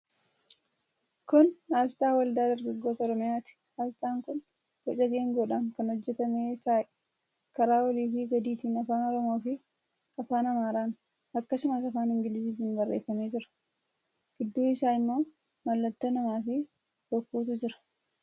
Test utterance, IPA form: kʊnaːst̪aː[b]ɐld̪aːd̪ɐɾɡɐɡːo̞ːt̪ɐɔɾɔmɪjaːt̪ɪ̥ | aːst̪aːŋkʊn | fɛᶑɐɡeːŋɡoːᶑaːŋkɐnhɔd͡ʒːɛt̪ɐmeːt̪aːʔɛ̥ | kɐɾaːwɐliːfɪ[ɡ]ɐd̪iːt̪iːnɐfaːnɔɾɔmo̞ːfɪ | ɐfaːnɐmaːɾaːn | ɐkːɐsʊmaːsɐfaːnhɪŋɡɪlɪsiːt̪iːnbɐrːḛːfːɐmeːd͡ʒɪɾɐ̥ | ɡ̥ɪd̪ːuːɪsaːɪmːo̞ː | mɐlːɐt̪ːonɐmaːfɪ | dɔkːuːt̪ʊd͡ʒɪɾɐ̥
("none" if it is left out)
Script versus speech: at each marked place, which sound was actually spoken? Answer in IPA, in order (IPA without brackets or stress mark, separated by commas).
w, ɡ